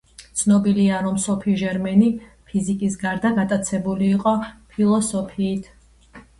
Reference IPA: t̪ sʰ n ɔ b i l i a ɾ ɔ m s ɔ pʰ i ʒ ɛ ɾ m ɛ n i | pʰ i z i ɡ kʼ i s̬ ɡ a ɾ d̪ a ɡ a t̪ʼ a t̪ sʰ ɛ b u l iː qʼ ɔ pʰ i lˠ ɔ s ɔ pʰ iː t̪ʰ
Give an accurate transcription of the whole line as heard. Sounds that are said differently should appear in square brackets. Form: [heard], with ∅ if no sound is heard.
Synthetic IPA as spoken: t̪ sʰ n ɔ b i l i a ɾ ɔ m s ɔ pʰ i ʒ ɛ ɾ m ɛ n i | pʰ i z i [∅] kʼ i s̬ ɡ a ɾ d̪ a ɡ a t̪ʼ a t̪ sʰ ɛ b u l iː qʼ ɔ pʰ i lˠ ɔ s ɔ pʰ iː t̪ʰ